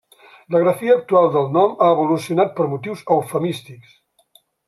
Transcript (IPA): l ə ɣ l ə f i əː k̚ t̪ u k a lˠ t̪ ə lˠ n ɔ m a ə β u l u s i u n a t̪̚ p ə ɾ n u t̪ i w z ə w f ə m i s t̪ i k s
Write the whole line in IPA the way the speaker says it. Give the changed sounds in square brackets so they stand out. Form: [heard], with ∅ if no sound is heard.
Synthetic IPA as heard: l ə ɣ [ɾ] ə f i əː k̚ t̪ u [∅] a lˠ [d̪] ə lˠ n ɔ m a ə β u l u s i u n a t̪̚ p ə ɾ [m] u t̪ i w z ə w f ə m i s t̪ i k s